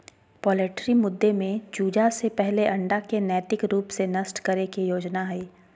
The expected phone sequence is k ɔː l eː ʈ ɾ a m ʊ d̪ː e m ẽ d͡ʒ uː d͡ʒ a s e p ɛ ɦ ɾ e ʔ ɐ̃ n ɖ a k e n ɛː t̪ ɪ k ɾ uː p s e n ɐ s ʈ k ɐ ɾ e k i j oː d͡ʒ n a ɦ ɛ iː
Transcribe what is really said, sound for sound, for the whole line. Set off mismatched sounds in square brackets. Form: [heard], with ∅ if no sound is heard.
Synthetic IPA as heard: [p] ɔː l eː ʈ ɾ [i] m ʊ d̪ː e m ẽ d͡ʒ uː d͡ʒ a s e p ɛ ɦ [l] e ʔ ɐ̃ [ɳ] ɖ a k e n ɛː t̪ ɪ k ɾ uː p s e n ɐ s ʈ k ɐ ɾ e k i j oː d͡ʒ n a ɦ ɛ iː